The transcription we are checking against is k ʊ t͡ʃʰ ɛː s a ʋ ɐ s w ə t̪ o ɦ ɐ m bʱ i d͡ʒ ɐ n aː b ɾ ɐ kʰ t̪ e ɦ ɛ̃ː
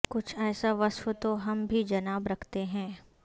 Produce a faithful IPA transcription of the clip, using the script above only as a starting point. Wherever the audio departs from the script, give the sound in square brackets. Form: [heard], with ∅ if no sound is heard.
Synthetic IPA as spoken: k ʊ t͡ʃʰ ɛː s a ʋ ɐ s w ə t̪ o ɦ ɐ m bʱ i d͡ʒ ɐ n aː b ɾ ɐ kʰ t̪ e ɦ ɛ̃ː

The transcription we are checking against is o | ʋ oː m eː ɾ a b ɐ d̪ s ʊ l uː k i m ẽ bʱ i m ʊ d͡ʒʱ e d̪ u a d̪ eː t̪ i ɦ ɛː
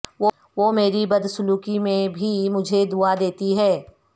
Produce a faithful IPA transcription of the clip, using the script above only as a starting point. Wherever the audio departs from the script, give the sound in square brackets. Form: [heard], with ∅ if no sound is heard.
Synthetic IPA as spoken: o | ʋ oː m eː ɾ [i] b ɐ d̪ s ʊ l uː k i m ẽ bʱ i m ʊ d͡ʒʱ e d̪ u a d̪ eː t̪ i ɦ ɛː

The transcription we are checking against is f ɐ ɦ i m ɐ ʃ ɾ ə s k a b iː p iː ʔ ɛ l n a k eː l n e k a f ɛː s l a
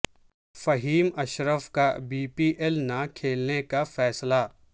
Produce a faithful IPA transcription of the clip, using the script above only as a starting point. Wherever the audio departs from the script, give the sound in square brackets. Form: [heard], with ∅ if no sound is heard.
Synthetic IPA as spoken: f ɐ ɦ [iː] m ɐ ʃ ɾ ə [f] k a b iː p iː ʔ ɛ l n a [kʰ] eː l n e k a f ɛː s l a

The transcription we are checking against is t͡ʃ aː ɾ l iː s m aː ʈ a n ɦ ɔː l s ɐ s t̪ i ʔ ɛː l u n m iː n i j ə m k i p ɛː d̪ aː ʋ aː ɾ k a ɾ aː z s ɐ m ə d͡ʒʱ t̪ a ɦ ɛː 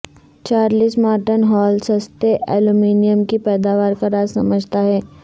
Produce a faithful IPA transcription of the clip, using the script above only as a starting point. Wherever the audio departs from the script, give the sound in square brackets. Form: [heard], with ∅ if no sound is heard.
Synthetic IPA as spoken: t͡ʃ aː ɾ l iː s m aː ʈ [ə] n ɦ ɔː l s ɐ s t̪ [e] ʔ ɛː l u [∅] m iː n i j ə m k i p ɛː d̪ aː ʋ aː ɾ k a ɾ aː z s ɐ m ə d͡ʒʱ t̪ a ɦ ɛː

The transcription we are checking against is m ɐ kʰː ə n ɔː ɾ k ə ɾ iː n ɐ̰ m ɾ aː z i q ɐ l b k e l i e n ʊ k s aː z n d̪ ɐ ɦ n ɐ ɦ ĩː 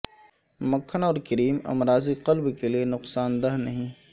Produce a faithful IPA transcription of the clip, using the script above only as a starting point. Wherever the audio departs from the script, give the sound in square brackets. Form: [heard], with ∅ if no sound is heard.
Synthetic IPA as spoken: m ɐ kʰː ə n ɔː ɾ k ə ɾ iː [m] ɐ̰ m ɾ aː z i q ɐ l b k e l i e n ʊ [q] s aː [∅] n d̪ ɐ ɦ n ɐ ɦ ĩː

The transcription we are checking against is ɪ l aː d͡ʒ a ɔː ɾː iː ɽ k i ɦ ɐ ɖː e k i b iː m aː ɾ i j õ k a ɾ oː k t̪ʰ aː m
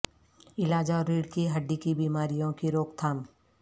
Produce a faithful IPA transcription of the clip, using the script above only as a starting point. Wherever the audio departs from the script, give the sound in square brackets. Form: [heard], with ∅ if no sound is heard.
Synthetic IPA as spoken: ɪ l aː d͡ʒ a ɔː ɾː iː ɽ k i ɦ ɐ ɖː [i] k i b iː m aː ɾ i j õ k [i] ɾ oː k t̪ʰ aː m

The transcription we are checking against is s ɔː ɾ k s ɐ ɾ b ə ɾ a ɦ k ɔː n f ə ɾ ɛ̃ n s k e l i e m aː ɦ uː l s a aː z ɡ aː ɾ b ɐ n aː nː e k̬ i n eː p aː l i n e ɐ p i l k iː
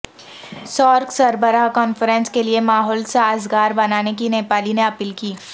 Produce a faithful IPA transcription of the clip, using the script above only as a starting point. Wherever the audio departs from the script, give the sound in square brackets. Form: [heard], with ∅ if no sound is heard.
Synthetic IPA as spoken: s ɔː ɾ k s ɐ ɾ b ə ɾ a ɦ k ɔː n f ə ɾ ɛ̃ n s k e l i e m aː ɦ [ɔː] l s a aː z ɡ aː ɾ b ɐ n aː [n] e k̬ i n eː p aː l i n e ɐ p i l k iː

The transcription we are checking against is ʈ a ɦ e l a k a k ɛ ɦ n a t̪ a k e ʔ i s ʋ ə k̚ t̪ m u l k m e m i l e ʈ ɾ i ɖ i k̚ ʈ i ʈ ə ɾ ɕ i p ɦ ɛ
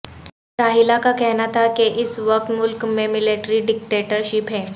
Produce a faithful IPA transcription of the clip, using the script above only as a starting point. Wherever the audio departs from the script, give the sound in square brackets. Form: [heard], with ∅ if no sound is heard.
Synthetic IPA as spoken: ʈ a ɦ [i] l a k a k ɛ ɦ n a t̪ a k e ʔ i s ʋ ə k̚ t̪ m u l k m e m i l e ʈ ɾ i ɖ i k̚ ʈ [e] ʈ ə ɾ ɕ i p ɦ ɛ

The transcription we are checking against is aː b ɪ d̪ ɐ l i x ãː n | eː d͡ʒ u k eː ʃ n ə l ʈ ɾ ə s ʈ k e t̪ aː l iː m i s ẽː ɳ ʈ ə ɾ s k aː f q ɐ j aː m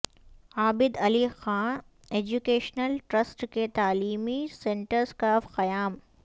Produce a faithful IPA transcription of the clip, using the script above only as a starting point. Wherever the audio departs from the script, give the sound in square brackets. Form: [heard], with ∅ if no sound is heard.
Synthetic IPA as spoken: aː b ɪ d̪ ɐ l i x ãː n | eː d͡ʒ u k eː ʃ n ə l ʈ ɾ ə s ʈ k e t̪ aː l iː m i s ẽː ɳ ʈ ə ɾ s k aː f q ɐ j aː m

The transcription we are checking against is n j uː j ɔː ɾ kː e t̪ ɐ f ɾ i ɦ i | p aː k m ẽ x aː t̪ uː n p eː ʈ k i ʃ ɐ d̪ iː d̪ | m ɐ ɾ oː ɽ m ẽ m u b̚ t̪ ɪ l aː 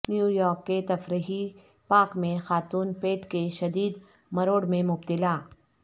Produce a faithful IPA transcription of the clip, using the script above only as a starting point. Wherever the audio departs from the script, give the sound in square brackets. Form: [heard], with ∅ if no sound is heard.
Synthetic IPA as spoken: n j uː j ɔː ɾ kː e t̪ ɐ f ɾ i ɦ i | p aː k m ẽ x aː t̪ uː n p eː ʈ k [e] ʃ ɐ d̪ iː d̪ | m ɐ ɾ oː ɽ m ẽ m [ʊ] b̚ t̪ ɪ l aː

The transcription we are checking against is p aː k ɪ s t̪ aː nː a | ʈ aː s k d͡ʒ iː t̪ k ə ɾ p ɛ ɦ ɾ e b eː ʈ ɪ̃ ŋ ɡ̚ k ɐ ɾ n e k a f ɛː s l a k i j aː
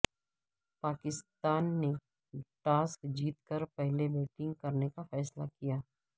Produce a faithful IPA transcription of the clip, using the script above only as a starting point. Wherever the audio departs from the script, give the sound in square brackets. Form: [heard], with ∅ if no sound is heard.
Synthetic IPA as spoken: p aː k ɪ s t̪ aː nː [e] | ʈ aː s k d͡ʒ iː t̪ k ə ɾ p ɛ ɦ [l] e b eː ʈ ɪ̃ ŋ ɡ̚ k ɐ ɾ n e k a f ɛː s l a k i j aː

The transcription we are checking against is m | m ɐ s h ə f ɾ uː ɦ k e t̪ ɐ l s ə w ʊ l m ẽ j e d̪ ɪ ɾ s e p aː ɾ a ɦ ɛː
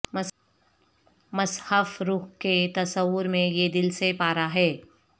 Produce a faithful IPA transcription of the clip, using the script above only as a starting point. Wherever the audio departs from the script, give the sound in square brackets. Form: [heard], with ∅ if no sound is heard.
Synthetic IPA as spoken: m | m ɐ s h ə f ɾ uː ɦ k e t̪ ɐ [∅] s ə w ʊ [ɾ] m ẽ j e d̪ ɪ [l] s e p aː ɾ a ɦ ɛː

